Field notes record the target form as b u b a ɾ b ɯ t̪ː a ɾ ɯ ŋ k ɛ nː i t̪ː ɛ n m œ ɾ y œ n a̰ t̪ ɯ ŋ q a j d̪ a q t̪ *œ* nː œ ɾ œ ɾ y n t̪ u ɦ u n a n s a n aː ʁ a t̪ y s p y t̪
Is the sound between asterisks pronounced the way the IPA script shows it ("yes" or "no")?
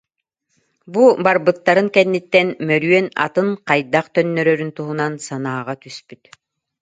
yes